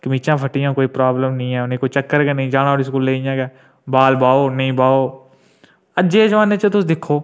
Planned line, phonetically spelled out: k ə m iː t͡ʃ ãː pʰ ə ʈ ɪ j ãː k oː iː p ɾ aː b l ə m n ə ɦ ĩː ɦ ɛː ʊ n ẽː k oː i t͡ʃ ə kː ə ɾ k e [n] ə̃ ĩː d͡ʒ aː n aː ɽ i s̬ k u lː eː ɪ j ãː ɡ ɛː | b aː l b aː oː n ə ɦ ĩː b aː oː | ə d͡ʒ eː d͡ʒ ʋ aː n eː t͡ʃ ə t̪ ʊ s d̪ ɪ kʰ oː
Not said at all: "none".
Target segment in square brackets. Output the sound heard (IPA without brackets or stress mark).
n